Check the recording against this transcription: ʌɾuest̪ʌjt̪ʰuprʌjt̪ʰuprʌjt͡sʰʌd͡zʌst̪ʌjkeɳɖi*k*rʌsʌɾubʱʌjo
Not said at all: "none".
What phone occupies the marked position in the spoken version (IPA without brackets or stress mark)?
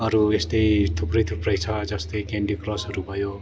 k